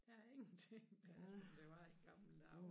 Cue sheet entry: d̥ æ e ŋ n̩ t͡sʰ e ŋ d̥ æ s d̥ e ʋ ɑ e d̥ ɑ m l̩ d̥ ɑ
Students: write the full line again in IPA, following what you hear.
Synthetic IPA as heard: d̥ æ e ŋ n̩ t͡sʰ e ŋ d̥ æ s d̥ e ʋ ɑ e ɡ̥ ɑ m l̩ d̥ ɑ